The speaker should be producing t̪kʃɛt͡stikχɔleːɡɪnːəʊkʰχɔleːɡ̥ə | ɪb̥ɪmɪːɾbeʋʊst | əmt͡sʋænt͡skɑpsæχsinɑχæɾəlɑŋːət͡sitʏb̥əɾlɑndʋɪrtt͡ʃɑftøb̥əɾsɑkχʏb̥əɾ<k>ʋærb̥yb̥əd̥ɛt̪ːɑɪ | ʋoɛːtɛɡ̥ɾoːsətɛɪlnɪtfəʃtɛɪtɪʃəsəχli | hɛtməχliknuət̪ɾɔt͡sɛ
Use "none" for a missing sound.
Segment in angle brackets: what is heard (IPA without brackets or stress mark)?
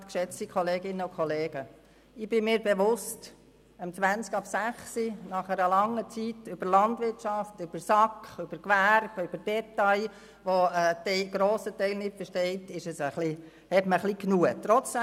k